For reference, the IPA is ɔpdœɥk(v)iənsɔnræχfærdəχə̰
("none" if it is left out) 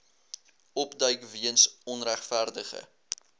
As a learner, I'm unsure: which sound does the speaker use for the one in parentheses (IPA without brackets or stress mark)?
v